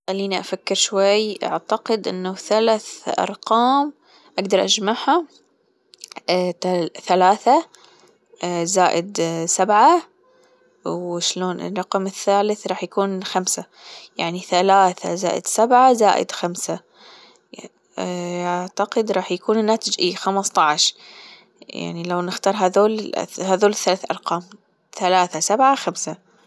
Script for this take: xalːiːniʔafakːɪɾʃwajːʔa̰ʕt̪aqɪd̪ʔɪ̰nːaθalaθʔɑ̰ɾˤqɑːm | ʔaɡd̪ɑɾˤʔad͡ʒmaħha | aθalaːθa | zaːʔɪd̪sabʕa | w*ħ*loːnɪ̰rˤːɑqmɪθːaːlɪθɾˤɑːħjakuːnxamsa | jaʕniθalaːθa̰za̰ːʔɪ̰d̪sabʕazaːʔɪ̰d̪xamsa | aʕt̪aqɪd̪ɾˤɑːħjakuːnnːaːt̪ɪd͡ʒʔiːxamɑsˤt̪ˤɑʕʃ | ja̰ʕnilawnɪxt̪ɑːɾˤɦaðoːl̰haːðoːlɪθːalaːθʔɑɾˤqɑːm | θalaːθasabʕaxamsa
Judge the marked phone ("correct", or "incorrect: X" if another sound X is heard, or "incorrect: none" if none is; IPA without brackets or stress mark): incorrect: ʃ